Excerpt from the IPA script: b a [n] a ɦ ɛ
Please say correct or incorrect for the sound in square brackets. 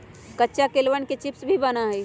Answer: correct